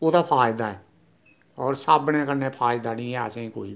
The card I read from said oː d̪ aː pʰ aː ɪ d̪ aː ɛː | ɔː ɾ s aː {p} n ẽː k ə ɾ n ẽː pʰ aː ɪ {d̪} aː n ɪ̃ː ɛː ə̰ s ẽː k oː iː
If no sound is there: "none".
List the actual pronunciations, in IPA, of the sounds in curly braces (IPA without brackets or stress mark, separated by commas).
b, d̪